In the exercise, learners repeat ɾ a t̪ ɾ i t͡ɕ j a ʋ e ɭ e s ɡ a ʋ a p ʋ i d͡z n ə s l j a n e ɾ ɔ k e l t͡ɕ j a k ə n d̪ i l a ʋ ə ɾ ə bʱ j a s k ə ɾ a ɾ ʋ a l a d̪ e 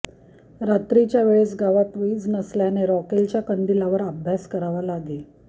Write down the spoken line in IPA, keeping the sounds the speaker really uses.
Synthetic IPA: ɾ a t̪ ɾ i t͡ɕ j a ʋ e ɭ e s ɡ a ʋ a p ʋ i d͡z n ə s l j a n e ɾ ɔ k e l t͡ɕ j a k ə n d̪ i l a ʋ ə ɾ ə bʱ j a s k ə ɾ a ʋ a l a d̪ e